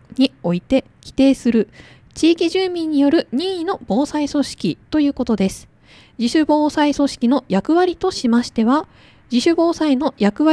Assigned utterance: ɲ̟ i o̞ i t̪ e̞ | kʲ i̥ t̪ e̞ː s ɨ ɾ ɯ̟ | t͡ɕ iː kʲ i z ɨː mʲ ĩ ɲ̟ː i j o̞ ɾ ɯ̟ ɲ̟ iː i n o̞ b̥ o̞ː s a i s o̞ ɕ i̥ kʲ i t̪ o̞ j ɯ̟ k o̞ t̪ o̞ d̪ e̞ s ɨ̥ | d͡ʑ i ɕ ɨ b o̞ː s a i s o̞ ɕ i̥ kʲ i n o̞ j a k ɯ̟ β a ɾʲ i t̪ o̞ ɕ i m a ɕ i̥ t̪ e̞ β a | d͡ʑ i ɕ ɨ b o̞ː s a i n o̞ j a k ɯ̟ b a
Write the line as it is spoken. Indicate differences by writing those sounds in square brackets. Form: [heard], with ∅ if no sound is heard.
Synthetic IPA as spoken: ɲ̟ i o̞ i t̪ e̞ | kʲ i̥ t̪ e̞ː s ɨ ɾ ɯ̟ | t͡ɕ iː kʲ i [ʑ] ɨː mʲ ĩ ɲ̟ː i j o̞ ɾ ɯ̟ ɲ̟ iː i n o̞ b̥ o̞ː s a i s o̞ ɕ i̥ kʲ i t̪ o̞ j [ɯ̟ː] k o̞ t̪ o̞ d̪ e̞ s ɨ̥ | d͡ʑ i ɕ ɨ b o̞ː s a i s o̞ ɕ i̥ kʲ i n o̞ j a k ɯ̟ β a ɾʲ i t̪ o̞ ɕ i m a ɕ i̥ t̪ e̞ β a | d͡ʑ i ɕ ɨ b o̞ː s a i n o̞ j a k ɯ̟ [β] a

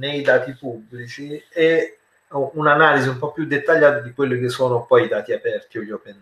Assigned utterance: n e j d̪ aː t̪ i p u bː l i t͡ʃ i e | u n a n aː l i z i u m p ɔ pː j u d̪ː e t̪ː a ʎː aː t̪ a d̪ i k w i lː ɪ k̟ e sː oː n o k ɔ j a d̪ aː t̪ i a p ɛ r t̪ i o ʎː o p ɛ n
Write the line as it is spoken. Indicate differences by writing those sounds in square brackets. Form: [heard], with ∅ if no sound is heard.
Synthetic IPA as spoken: n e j d̪ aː t̪ i p u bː l i t͡ʃ i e | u n a n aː l i z i u m p ɔ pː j u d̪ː e t̪ː a ʎː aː t̪ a d̪ i k w [e] lː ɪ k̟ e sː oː n o [p] ɔ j [i] d̪ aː t̪ i a p ɛ r t̪ i o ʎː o p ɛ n

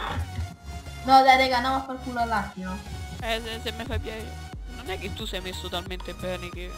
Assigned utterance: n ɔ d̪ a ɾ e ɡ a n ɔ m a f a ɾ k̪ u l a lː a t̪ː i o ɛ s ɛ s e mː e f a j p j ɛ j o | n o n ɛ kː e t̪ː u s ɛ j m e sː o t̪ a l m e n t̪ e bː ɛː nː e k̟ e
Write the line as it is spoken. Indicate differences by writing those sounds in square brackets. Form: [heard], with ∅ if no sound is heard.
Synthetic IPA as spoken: n ɔ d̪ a ɾ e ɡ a n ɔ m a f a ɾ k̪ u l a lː a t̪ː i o ɛ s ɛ s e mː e f a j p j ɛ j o | n o n ɛ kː e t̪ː u s ɛ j m e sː o t̪ a l m e n t̪ e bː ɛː [n] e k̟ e

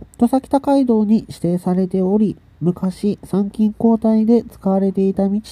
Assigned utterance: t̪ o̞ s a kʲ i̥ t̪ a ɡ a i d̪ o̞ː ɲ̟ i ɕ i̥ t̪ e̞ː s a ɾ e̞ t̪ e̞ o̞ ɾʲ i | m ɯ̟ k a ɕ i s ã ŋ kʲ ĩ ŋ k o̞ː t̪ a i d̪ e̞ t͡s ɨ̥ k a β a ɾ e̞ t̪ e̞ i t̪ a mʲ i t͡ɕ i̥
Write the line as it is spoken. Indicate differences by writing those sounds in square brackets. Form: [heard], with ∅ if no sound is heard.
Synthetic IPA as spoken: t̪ o̞ s a kʲ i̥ t̪ a [k] a i d̪ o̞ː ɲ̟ i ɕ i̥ t̪ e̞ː s a ɾ e̞ t̪ e̞ o̞ ɾʲ i | m ɯ̟ k a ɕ i s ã ŋ kʲ ĩ ŋ k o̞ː t̪ a i d̪ e̞ t͡s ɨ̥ k a β a ɾ e̞ t̪ e̞ i t̪ a mʲ i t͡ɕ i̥

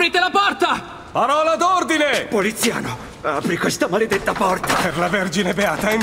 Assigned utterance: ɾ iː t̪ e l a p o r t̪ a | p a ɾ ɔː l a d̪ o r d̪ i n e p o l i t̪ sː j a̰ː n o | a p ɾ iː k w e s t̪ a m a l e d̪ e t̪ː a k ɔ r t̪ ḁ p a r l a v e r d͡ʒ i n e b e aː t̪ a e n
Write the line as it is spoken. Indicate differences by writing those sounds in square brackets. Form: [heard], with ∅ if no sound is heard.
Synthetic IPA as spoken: ɾ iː t̪ e l a p [ɔ] r t̪ a | p a ɾ ɔː l a d̪ o r d̪ i n e p o l i t̪ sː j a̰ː n o | a p ɾ [i] k w e s t̪ a m a l e d̪ e t̪ː a [p] ɔ r t̪ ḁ p [e] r l a v e r d͡ʒ i n e b e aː t̪ a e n

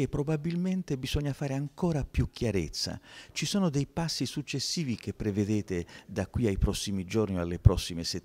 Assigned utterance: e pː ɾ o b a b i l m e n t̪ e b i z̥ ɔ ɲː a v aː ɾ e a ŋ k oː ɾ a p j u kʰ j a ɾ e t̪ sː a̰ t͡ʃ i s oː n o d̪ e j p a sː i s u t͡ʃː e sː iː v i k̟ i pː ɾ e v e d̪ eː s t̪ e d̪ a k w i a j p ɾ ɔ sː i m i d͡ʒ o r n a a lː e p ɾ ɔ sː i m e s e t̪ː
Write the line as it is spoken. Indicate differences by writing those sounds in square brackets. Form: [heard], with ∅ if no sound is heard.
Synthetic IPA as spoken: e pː ɾ o b a b i l m e n t̪ e b i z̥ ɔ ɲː a [f] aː ɾ e a ŋ k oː ɾ a p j u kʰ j a ɾ e t̪ sː a̰ t͡ʃ i s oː n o d̪ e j p a sː i s u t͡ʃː e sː iː v i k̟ [e] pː ɾ e v e d̪ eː [∅] t̪ e d̪ a k w i a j p ɾ ɔ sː i m i d͡ʒ o r n [i] a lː e p ɾ ɔ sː i m e s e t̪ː

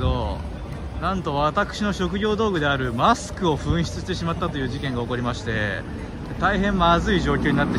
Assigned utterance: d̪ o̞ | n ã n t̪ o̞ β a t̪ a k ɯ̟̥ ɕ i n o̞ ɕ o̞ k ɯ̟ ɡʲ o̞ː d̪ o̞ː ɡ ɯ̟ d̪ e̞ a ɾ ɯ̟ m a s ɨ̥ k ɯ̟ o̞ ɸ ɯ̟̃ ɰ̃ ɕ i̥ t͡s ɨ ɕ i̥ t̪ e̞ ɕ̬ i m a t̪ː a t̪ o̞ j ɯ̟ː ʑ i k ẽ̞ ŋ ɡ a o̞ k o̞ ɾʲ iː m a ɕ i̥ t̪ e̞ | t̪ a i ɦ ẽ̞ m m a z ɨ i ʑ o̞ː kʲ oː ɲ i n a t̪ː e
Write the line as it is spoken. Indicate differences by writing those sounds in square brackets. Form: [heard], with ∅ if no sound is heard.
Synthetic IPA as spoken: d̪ o̞ | n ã n t̪ o̞ β a t̪ a k ɯ̟̥ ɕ i n o̞ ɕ o̞ k ɯ̟ ɡʲ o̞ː d̪ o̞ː ɡ ɯ̟ d̪ e̞ a ɾ ɯ̟ m a s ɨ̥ k ɯ̟ o̞ ɸ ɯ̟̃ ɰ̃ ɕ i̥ t͡s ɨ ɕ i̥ t̪ e̞ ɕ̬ i m a t̪ː a t̪ o̞ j ɯ̟ː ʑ i k ẽ̞ ŋ ɡ a o̞ k o̞ ɾʲ [i] m a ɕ i̥ t̪ e̞ | t̪ a i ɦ ẽ̞ m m a z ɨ i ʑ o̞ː kʲ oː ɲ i n a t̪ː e

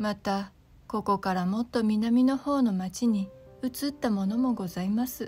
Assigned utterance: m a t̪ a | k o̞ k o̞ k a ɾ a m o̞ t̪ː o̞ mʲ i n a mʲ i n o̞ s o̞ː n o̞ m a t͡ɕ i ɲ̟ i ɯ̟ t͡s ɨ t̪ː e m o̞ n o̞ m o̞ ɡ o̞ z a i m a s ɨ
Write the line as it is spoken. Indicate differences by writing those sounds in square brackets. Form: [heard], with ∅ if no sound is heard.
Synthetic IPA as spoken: m a t̪ a | k o̞ k o̞ k a ɾ a m o̞ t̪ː o̞ mʲ i n a mʲ i n o̞ [h] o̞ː n o̞ m a t͡ɕ i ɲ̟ i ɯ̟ t͡s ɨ t̪ː [a] m o̞ n o̞ m o̞ ɡ o̞ z a i m a s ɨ

